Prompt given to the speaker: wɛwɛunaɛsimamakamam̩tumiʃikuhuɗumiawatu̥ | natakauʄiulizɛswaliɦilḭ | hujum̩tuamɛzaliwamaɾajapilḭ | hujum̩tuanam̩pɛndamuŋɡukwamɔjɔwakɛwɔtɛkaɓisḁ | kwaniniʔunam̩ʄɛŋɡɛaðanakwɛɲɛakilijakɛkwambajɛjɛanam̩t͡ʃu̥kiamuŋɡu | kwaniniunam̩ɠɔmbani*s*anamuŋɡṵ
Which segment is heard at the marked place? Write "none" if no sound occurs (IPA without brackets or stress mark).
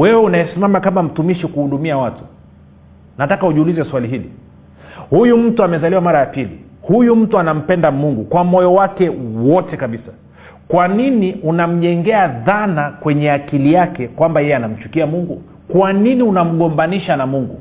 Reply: ʃ